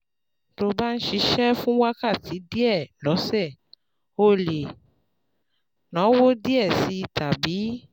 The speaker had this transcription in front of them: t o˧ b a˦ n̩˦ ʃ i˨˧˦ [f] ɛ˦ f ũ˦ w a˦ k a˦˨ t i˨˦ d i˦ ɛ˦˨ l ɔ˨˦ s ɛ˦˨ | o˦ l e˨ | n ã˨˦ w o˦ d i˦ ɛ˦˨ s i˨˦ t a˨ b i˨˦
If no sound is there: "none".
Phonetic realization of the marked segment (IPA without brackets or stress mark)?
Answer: ʃ